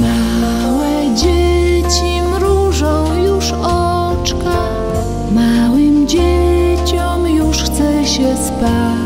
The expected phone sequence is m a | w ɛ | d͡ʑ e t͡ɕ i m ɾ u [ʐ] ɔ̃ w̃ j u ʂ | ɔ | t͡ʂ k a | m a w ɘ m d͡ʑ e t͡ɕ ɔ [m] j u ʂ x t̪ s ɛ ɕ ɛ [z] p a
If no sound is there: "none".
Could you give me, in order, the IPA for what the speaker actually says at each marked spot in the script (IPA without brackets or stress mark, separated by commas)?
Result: ʐ, m, s